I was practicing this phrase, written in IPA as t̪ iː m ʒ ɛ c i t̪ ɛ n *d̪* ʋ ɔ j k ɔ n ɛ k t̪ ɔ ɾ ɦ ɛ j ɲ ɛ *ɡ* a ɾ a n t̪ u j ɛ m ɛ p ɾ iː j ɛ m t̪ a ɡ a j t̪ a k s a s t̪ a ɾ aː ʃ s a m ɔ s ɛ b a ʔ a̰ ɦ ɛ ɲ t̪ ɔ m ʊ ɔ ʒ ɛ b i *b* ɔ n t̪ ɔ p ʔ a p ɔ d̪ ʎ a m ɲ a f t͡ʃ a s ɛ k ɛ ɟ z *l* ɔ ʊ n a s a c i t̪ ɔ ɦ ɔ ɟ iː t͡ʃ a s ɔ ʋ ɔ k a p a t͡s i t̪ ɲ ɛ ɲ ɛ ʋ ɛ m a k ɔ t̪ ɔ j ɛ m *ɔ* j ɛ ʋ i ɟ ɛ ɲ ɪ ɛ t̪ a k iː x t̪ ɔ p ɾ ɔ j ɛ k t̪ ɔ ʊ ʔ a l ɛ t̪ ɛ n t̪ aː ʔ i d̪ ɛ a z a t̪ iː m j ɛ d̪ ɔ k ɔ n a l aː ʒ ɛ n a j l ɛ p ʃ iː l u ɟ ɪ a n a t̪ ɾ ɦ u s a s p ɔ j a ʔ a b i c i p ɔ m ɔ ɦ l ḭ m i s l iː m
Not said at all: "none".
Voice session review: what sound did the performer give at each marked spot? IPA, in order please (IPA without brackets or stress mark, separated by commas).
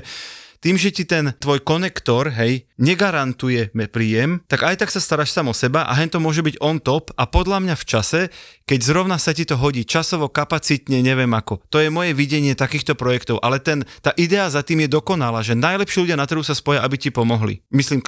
t̪, ɡ, ɟ, ɾ, ɔ